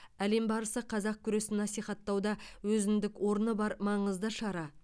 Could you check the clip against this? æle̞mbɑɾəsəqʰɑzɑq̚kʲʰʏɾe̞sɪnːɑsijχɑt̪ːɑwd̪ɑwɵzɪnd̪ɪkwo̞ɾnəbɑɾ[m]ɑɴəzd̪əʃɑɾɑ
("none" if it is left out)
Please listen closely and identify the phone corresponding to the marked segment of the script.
m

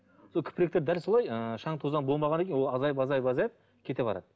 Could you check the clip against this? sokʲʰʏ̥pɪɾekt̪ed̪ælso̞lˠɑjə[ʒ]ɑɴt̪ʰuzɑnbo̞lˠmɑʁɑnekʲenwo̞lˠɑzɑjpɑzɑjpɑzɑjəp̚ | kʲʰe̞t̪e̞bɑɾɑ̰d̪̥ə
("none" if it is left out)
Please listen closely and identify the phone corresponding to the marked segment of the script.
ʃ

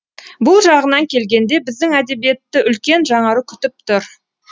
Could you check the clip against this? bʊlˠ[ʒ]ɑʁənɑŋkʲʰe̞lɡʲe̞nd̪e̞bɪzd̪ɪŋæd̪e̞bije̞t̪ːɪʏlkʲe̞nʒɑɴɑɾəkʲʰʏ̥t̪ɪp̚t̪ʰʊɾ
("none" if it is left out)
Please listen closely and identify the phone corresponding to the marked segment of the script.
ʒ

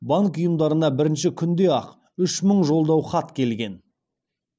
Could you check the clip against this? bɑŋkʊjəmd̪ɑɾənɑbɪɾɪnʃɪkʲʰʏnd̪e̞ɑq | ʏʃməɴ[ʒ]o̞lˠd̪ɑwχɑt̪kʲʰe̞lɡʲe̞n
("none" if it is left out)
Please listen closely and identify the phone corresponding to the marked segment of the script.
ʒ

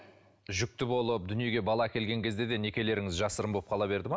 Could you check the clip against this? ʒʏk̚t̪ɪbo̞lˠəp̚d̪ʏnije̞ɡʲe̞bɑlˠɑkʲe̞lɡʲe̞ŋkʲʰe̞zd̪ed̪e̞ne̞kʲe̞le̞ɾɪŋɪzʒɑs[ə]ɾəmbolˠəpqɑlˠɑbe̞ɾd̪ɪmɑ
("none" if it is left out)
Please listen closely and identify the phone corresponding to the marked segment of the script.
ə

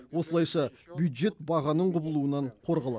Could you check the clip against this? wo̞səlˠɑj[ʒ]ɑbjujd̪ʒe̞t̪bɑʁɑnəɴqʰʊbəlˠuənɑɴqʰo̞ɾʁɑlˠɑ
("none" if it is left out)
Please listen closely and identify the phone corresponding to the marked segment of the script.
ʃ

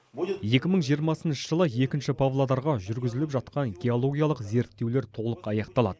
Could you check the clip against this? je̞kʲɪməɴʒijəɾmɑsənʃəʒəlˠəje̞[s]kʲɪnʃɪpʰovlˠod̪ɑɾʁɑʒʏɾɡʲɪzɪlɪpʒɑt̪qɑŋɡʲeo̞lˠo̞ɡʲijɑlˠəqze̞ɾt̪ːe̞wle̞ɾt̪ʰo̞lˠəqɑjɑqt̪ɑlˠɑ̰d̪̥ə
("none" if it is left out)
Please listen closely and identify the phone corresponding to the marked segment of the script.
none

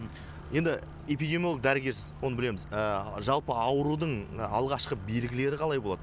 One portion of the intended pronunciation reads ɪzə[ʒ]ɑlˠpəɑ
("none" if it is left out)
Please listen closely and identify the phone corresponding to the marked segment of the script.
ʒ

